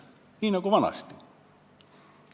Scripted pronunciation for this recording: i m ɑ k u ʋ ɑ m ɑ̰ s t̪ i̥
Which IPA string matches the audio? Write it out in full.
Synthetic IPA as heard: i n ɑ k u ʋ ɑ n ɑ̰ s t̪ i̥